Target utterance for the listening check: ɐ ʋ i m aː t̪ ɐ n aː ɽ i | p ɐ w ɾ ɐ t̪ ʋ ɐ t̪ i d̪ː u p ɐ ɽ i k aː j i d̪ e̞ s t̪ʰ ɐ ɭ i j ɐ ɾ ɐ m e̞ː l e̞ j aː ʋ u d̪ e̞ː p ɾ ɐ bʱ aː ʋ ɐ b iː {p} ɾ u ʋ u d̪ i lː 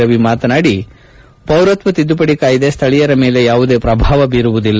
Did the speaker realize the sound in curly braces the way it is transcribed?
no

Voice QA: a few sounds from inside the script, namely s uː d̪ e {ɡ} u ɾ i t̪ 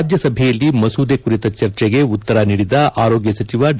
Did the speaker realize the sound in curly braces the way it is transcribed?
no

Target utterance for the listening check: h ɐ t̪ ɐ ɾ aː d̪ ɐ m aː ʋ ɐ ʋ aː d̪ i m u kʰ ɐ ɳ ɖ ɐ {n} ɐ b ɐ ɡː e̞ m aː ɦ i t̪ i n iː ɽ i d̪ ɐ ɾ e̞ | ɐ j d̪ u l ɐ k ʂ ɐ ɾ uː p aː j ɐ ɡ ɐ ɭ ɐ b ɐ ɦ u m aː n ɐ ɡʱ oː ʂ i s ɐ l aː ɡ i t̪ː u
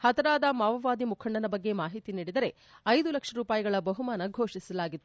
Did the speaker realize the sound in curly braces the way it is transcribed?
yes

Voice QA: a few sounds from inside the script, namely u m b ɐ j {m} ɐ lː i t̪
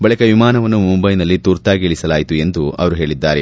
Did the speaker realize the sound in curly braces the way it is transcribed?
no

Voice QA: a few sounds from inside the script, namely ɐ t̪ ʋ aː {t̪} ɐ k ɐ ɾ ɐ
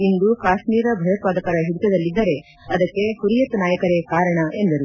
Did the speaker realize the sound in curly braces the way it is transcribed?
no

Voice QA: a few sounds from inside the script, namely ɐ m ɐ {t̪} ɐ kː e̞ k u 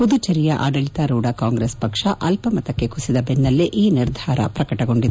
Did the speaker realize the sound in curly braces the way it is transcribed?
yes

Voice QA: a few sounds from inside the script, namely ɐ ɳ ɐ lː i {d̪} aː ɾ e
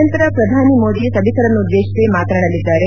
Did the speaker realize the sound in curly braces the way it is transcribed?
no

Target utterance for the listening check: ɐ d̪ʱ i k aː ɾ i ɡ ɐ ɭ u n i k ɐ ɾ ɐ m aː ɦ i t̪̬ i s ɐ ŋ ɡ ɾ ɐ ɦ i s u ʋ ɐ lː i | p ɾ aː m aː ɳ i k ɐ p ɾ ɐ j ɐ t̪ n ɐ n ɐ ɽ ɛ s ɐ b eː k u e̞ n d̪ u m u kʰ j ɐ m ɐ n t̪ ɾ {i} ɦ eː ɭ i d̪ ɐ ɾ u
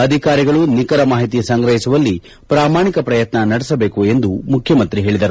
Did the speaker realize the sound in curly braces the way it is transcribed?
yes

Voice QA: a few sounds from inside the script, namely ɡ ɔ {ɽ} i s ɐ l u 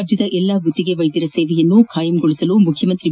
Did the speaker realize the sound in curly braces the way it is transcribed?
no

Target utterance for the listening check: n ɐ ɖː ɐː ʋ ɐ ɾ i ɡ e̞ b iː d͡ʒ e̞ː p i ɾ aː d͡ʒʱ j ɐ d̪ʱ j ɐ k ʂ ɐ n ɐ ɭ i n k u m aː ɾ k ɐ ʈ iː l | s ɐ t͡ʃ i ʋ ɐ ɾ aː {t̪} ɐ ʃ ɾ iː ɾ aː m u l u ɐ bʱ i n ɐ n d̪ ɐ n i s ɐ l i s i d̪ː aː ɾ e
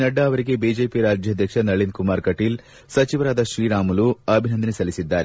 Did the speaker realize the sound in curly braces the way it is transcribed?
no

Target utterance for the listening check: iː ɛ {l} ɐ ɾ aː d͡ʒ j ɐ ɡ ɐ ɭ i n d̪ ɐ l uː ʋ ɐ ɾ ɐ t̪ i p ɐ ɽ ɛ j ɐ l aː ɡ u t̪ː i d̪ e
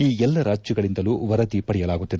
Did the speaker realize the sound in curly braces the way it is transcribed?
no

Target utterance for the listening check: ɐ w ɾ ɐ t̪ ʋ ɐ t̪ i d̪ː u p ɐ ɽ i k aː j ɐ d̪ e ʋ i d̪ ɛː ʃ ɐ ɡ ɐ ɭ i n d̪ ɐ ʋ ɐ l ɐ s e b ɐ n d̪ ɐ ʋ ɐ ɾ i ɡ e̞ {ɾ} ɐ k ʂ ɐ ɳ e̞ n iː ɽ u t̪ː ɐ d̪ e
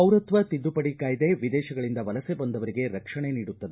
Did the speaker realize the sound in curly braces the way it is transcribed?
yes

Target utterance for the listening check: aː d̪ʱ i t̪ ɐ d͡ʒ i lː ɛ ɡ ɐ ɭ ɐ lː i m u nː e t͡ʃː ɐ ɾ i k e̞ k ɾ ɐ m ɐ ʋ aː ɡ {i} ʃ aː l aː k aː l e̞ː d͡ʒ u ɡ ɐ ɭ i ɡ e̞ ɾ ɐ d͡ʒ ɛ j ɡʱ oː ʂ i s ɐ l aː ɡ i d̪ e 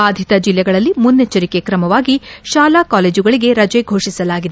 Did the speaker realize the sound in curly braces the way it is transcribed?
yes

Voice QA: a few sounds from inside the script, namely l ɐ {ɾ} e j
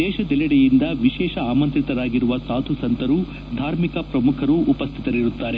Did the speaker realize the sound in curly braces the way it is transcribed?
no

